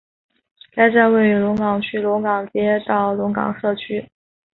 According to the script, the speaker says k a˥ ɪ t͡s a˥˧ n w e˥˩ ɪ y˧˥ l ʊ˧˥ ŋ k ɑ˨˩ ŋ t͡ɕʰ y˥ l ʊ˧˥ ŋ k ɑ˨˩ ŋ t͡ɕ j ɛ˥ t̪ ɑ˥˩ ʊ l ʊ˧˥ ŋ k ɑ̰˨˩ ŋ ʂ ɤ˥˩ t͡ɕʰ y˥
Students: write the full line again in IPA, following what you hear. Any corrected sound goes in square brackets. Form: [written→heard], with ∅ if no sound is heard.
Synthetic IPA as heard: k a˥ ɪ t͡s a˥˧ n w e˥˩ ɪ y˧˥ l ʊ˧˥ ŋ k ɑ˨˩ ŋ t͡ɕʰ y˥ l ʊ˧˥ ŋ k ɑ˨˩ ŋ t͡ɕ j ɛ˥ t̪ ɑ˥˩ ʊ l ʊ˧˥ ŋ k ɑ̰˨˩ ŋ ʂ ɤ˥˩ t͡ɕʰ y˥